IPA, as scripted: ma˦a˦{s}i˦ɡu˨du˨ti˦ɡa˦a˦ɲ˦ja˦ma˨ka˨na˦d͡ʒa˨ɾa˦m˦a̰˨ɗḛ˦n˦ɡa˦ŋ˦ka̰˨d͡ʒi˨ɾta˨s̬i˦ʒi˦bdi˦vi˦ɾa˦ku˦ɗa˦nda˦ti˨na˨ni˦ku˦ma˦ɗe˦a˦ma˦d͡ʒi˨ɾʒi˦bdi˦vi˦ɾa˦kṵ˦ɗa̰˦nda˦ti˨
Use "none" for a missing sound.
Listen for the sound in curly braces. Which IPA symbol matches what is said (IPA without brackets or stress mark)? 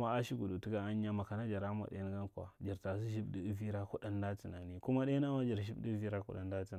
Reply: ʃ